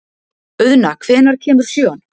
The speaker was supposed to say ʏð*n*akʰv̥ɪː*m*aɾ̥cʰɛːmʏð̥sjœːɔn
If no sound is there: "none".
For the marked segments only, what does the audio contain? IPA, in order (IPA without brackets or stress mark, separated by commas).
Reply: n, n